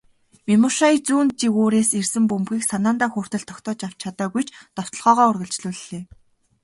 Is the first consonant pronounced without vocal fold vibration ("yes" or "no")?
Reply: no